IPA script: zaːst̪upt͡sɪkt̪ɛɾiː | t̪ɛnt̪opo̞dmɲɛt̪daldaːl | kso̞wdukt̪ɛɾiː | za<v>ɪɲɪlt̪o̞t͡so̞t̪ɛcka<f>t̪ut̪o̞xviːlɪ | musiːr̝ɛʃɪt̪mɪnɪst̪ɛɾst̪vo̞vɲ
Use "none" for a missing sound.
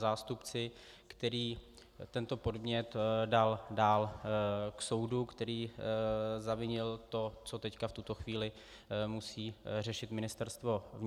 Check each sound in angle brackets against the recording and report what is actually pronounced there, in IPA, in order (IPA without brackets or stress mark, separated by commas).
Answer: v, f